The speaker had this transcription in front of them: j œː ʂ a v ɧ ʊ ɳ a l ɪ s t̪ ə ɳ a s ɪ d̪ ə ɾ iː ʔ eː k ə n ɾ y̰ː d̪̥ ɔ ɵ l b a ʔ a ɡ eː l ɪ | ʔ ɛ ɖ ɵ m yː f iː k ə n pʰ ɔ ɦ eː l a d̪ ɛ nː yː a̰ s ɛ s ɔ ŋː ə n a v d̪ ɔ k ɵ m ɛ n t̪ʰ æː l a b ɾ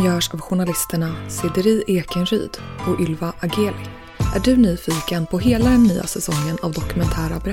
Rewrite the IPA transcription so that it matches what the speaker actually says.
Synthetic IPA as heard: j œː ʂ a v ɧ ʊ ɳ a l ɪ s t̪ ə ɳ a s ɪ d̪ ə ɾ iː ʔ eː k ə n ɾ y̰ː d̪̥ ɔ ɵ l v a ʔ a ɡ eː l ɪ | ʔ æ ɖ ɵ n yː f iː k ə n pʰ ɔ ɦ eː l a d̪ ɛ nː yː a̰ s ɛ s ɔ ŋː ə n a v d̪ ɔ k ɵ m ɛ n t̪ʰ æː ɾ a b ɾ